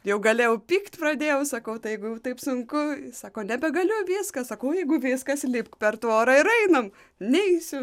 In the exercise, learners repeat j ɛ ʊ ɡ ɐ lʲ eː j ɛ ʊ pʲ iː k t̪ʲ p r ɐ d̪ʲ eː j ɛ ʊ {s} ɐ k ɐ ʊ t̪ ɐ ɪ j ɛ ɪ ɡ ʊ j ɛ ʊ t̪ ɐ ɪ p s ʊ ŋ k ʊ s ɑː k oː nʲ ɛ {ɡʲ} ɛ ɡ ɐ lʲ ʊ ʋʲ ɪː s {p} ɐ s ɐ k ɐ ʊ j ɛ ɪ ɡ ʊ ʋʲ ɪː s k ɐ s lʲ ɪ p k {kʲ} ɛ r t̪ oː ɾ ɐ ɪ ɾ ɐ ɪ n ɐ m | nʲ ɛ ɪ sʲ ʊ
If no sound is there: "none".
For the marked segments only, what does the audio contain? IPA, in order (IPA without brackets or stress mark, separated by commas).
s, bʲ, k, pʲ